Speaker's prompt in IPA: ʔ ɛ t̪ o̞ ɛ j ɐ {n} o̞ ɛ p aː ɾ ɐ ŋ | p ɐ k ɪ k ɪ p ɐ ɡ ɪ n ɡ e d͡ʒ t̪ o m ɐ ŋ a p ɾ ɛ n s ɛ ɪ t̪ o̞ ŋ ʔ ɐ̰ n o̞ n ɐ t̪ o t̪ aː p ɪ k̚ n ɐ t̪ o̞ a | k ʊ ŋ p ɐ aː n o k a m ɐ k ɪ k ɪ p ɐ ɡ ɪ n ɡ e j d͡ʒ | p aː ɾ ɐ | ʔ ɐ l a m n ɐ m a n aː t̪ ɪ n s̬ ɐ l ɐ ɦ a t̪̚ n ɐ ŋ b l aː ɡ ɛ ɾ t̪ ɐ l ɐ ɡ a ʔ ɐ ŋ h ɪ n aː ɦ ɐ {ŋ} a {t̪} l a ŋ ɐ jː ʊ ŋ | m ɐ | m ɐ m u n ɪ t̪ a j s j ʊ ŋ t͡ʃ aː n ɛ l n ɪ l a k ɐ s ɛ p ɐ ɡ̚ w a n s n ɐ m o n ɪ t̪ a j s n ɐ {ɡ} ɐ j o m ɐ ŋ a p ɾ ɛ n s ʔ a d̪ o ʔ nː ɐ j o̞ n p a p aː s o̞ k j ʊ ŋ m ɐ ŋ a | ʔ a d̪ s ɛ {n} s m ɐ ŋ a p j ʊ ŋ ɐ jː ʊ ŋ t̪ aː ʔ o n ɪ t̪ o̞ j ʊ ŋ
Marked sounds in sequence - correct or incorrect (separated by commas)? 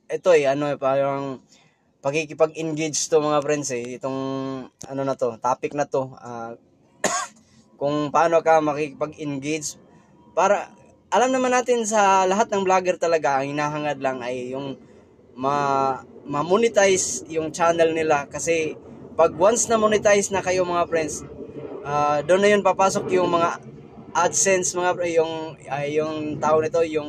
correct, correct, incorrect, incorrect, correct